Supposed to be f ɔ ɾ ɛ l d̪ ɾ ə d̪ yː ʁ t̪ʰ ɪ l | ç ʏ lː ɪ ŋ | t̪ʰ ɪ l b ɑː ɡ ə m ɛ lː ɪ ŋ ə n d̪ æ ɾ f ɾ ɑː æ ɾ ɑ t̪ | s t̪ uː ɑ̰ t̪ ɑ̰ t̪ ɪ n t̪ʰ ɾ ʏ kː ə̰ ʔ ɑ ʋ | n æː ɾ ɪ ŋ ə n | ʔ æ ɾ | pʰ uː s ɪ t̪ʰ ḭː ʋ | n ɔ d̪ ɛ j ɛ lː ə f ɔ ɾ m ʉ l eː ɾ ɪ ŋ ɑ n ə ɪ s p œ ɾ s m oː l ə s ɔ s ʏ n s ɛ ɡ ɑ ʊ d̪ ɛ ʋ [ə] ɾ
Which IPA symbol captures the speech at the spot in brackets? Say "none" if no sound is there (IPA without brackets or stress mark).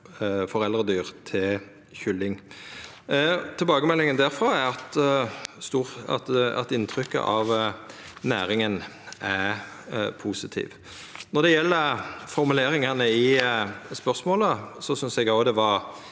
ɑ